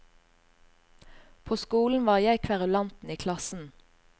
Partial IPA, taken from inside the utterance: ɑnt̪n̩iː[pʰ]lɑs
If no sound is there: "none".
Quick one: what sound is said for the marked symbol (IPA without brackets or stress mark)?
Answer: kʰ